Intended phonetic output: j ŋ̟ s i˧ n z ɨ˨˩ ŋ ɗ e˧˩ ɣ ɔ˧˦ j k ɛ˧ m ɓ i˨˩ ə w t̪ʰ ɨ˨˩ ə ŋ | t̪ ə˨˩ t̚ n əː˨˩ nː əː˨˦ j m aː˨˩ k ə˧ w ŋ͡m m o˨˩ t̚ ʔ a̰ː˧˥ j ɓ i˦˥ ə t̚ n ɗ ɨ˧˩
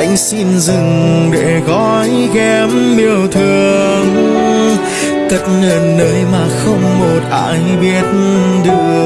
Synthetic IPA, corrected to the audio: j ŋ̟ s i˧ n z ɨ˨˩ ŋ ɗ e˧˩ ɣ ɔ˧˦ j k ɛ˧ m ɓ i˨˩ ə w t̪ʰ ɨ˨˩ ə ŋ | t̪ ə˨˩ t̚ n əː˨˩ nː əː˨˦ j m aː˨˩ x ə˧ w ŋ͡m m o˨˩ t̚ ʔ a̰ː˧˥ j ɓ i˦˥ ə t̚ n ɗ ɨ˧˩